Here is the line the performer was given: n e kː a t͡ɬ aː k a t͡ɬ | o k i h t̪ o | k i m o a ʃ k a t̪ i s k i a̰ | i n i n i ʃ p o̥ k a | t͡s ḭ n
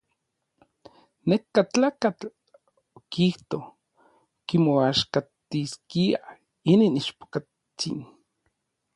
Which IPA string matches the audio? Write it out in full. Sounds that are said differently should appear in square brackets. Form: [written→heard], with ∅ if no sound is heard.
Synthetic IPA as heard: n e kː a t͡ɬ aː k a t͡ɬ | o k i h t̪ o | k i m o a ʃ k a t̪ i s k i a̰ | i n i n i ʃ p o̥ k a | t͡s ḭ n